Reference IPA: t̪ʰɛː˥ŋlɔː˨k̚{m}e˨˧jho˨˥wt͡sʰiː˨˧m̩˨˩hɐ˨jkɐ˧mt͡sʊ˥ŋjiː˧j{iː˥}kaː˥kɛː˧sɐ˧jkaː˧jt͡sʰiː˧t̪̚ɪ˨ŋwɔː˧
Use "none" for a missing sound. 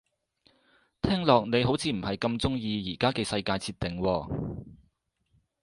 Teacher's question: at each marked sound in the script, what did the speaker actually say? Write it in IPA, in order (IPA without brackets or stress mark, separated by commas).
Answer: n, iː˨˩